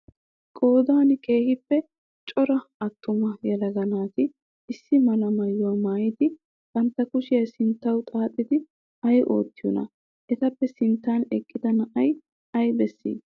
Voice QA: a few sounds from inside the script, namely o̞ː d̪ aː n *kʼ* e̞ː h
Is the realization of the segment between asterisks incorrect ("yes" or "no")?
yes